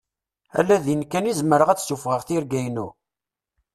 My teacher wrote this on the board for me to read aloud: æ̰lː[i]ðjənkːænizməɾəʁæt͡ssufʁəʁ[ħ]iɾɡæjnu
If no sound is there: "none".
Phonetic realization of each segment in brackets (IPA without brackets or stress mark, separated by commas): æ, θ